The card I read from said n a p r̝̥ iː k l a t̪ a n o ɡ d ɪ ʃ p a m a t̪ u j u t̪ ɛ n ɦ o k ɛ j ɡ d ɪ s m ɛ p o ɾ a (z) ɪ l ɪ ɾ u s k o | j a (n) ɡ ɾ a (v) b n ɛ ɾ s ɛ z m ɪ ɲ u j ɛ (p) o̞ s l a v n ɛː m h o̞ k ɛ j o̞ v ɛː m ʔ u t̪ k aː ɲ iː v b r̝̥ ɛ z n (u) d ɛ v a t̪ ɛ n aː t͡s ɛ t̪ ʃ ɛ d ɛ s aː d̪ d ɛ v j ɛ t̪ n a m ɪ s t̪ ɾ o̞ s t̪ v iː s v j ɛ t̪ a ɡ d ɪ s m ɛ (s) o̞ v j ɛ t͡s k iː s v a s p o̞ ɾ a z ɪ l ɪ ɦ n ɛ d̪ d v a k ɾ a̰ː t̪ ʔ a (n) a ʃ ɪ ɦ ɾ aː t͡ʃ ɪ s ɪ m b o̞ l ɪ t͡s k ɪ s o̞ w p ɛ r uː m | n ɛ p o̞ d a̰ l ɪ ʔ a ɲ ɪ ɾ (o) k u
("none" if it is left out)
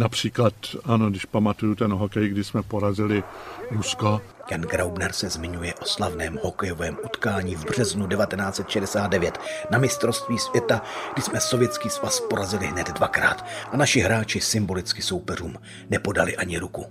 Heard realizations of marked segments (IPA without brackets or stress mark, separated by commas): z, n, w, ʔ, u, s, n, u